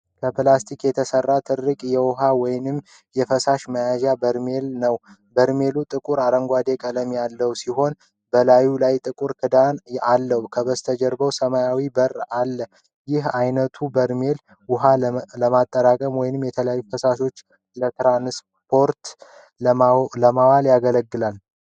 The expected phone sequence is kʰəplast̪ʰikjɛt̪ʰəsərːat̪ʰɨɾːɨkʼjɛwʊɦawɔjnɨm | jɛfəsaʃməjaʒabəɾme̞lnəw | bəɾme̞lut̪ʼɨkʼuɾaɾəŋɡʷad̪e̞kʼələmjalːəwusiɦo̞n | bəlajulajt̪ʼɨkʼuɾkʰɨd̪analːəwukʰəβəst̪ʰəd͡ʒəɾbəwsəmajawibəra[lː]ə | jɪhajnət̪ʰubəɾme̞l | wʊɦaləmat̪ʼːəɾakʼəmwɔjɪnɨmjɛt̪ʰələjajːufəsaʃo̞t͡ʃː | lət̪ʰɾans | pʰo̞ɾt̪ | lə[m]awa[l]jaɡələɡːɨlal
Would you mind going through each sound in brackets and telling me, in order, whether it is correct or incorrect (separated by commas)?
correct, correct, correct